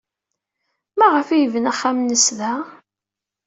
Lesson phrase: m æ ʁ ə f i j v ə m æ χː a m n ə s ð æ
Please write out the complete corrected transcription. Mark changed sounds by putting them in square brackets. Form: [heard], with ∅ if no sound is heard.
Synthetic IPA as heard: m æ ʁ ə f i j v ə [n] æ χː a m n ə s ð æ

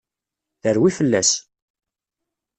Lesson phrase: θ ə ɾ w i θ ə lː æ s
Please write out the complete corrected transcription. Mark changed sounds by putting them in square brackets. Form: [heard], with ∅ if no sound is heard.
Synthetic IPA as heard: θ ə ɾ w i [f] ə lː æ s

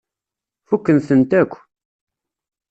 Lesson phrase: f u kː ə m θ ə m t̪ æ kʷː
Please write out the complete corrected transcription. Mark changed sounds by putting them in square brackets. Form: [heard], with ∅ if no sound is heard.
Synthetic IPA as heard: f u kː ə [n] θ ə [n] t̪ æ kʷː

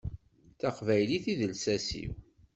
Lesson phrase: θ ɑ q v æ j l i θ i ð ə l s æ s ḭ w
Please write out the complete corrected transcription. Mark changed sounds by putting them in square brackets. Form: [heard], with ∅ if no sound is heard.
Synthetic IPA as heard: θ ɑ q v æ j l i θ i ð ə l s æ s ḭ w

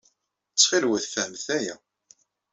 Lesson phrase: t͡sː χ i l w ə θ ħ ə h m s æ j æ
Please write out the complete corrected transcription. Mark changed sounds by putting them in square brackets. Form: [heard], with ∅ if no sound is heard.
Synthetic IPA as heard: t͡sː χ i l w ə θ [f] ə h m [θ] æ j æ

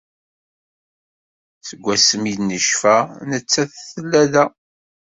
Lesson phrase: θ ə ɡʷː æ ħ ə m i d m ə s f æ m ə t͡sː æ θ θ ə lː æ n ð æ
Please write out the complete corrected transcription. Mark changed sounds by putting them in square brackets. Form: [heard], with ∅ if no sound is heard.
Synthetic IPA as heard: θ ə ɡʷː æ [s] ə m i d [n] ə [ʃ] f æ [n] ə t͡sː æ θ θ ə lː æ [∅] ð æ

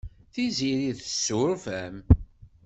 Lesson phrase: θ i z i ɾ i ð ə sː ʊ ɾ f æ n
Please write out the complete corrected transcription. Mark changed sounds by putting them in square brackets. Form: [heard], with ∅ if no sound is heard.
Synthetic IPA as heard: θ i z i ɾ i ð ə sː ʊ ɾ f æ [m]

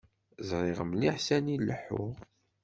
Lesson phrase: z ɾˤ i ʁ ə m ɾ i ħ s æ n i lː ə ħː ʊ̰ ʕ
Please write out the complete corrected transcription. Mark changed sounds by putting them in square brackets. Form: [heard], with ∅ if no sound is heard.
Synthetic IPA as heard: z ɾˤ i ʁ ə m [l] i ħ s æ n i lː ə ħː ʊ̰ [ʁ]

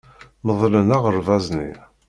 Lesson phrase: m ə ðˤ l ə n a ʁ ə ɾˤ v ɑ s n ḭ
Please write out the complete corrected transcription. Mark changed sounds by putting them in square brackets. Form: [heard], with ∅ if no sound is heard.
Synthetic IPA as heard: m ə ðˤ l ə n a ʁ ə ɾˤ v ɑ [z] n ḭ

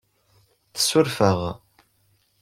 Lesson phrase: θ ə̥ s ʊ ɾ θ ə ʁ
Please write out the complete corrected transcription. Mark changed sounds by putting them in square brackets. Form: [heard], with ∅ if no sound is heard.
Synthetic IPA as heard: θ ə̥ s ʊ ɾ [f] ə ʁ

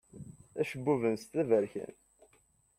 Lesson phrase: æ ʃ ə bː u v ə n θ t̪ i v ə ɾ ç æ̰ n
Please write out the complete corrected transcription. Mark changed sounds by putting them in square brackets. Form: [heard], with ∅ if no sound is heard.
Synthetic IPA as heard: æ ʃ ə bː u v ə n [s] t̪ [æ] v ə ɾ ç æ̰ n

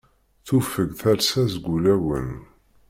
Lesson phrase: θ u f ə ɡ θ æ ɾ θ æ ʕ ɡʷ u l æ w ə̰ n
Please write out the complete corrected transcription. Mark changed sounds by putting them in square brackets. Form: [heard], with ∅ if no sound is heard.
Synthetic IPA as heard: θ u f ə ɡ θ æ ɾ [s] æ [z] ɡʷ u l æ w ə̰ n

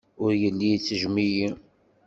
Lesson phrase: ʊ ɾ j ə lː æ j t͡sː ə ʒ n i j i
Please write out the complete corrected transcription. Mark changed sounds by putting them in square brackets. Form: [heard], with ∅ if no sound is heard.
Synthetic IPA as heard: ʊ ɾ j ə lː [i] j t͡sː ə ʒ [m] i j i

